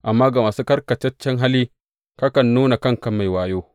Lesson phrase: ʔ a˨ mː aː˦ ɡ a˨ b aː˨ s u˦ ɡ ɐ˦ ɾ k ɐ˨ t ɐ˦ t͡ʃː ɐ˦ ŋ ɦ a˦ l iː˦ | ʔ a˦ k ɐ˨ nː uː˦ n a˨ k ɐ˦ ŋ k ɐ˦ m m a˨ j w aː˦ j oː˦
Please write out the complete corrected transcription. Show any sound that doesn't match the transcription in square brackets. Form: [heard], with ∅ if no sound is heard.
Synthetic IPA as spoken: ʔ a˨ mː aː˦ ɡ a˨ [m] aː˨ s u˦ [k] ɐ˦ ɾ k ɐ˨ [t͡ʃ] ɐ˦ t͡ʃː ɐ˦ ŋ ɦ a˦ l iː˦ | [k] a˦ k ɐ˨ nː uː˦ n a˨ k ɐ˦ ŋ k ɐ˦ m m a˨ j w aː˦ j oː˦